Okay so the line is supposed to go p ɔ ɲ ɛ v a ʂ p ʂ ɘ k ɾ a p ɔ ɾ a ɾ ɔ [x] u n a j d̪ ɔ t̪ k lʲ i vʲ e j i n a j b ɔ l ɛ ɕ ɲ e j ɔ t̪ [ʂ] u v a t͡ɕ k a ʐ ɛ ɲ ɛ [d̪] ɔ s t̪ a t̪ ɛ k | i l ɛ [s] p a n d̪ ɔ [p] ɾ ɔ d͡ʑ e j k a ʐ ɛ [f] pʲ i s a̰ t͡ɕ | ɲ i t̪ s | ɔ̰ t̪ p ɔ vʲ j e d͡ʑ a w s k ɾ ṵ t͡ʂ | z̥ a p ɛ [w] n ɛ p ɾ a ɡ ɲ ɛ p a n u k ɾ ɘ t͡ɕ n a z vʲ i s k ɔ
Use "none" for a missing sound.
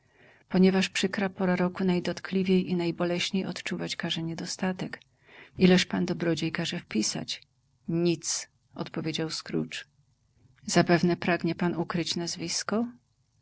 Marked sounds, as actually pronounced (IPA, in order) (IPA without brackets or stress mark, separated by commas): k, t͡ʂ, d̪, ʂ, b, f, v